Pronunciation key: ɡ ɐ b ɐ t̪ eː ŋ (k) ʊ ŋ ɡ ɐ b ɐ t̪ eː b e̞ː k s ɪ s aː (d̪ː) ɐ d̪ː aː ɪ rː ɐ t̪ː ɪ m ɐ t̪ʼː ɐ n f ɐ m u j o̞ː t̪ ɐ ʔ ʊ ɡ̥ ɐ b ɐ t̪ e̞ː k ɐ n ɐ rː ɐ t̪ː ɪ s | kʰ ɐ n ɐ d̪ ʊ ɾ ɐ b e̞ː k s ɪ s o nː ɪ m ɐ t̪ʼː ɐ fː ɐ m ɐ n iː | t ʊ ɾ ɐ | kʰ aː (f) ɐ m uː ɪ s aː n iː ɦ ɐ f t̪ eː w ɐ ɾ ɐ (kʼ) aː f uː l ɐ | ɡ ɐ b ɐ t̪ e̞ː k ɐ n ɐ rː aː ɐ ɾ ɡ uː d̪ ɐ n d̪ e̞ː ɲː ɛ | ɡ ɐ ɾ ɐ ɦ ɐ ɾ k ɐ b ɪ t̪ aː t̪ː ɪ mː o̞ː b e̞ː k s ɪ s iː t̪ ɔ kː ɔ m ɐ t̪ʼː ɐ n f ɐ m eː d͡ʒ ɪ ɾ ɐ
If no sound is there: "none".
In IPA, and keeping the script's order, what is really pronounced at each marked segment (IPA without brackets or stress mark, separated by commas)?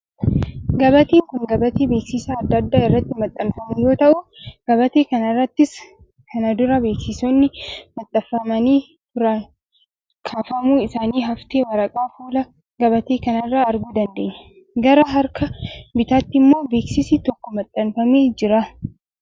k, d̪ː, f, kʼ